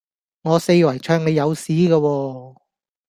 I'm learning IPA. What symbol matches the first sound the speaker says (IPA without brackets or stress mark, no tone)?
ŋ